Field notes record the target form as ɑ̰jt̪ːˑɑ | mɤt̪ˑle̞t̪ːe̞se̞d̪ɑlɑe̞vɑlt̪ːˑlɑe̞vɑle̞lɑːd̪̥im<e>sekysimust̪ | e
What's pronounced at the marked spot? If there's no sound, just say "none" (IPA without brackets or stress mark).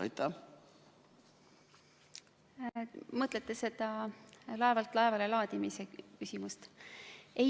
i